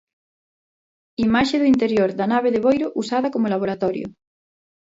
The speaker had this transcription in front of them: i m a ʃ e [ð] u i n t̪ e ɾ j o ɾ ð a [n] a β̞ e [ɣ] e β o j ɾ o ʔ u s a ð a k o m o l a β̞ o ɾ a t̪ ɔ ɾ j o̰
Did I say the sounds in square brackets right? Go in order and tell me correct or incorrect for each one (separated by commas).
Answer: correct, correct, incorrect